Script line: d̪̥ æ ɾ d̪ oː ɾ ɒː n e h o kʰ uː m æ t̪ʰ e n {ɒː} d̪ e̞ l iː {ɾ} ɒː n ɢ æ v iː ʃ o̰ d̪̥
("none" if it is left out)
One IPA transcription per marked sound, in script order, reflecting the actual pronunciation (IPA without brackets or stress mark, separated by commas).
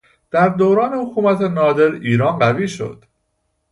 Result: ɒː, ɾ